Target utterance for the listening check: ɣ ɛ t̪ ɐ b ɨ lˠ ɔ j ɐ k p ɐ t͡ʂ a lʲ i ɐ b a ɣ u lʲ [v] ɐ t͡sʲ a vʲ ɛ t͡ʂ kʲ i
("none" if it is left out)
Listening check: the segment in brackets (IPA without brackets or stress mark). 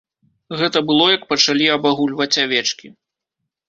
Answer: v